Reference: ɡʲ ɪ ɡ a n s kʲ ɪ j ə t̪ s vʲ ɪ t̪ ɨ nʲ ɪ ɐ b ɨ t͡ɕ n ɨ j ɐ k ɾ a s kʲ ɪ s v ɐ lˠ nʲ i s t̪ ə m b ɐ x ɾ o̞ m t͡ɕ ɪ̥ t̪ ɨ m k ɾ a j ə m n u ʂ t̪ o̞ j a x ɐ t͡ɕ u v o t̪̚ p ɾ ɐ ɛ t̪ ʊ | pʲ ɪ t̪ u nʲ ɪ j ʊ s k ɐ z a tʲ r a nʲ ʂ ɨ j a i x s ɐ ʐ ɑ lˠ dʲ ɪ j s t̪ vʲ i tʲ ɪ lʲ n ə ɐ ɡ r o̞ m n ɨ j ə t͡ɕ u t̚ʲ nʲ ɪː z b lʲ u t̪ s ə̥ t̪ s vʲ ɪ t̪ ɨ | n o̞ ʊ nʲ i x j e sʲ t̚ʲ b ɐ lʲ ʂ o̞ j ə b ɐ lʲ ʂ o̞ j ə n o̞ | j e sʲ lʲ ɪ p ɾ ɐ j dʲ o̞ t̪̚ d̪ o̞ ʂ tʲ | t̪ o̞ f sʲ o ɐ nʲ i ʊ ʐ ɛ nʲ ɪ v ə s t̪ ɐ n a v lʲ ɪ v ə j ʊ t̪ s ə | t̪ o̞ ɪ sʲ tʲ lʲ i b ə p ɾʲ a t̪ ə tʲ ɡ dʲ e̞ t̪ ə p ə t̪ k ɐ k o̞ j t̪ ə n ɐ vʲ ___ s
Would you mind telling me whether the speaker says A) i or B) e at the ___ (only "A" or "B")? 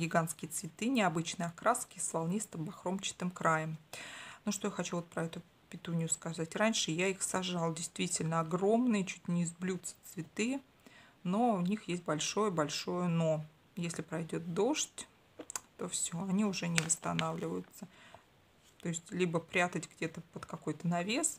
B